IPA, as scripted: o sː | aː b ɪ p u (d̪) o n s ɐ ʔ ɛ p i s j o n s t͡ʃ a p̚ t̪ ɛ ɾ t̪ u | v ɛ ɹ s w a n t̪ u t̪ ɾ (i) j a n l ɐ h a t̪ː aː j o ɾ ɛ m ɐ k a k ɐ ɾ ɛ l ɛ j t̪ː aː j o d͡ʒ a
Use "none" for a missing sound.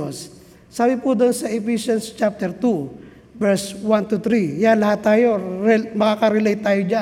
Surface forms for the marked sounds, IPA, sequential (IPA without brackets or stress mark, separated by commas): d̪, i